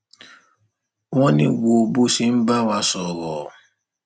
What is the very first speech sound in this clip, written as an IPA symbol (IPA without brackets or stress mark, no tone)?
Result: w